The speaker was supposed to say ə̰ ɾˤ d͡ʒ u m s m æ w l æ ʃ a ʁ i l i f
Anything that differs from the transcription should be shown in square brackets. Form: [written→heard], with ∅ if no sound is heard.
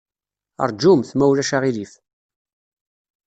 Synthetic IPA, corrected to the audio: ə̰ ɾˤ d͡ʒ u m [s→θ] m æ w l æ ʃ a ʁ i l i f